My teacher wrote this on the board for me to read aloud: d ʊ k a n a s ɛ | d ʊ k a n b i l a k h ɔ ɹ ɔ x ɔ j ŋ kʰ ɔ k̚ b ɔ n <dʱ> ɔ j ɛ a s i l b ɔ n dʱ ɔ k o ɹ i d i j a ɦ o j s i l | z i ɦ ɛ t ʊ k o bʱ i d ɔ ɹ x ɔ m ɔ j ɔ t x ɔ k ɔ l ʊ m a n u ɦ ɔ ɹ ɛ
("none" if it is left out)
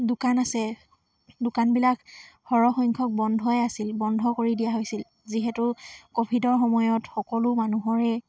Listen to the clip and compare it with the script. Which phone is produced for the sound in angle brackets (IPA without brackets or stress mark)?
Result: dʱ